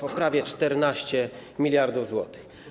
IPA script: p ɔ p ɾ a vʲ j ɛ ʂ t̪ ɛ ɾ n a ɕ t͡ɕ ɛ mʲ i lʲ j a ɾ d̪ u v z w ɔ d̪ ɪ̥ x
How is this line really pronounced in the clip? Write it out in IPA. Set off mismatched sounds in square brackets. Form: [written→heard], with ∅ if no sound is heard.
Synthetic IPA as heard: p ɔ p ɾ a vʲ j ɛ [ʂ→t͡ʂ] t̪ ɛ ɾ n a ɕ t͡ɕ ɛ mʲ i lʲ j a ɾ d̪ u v z w ɔ [d̪→t̪] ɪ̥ x